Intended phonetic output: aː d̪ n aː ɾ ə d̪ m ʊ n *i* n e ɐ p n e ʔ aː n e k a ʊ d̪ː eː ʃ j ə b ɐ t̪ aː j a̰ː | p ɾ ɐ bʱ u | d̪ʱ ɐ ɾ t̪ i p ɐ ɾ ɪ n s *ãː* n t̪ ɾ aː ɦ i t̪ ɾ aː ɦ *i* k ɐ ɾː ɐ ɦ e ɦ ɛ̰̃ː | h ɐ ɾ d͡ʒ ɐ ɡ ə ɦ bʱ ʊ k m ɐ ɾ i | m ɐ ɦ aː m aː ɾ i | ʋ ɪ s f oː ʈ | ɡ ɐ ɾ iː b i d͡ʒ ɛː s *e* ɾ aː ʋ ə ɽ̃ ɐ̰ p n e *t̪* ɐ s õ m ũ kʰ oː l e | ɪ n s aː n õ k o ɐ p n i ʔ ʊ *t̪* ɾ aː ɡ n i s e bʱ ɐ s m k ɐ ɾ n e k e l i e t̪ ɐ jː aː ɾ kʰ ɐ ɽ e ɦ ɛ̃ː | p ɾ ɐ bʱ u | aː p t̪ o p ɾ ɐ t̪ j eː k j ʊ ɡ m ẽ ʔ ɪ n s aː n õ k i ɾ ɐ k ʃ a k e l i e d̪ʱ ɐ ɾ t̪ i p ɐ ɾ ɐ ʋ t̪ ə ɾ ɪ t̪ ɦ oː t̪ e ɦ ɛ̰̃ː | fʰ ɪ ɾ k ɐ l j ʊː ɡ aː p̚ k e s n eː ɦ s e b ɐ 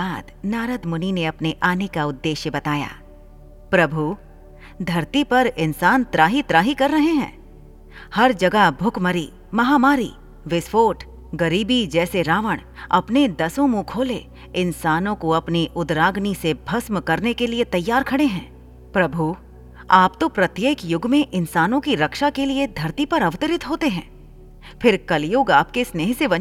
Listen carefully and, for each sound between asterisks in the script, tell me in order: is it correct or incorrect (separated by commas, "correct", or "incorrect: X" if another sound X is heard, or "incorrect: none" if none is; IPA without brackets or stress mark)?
correct, incorrect: aː, correct, correct, incorrect: d̪, incorrect: d̪